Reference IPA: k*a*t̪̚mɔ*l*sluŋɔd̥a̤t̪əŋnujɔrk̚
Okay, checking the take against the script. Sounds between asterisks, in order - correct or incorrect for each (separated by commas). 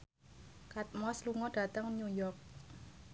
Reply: correct, incorrect